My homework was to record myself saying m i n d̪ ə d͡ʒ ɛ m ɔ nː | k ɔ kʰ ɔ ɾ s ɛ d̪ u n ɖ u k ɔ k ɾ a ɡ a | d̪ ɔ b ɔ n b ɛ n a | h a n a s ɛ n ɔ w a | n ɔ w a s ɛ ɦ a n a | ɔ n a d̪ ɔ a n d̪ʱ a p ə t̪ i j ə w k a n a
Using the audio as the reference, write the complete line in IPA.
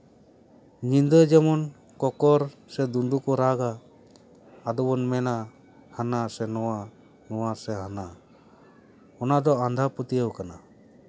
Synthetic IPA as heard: ɲ i n d̪ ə d͡ʒ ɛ m ɔ n | k ɔ k ɔ ɾ s ɛ d̪ u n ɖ u k ɔ ɾ a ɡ a | d̪ ɔ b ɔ n m ɛ n a | h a n a s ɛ n ɔ w a | n ɔ w a s ɛ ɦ a n a | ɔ n a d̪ ɔ a n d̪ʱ a p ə t̪ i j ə w k a n a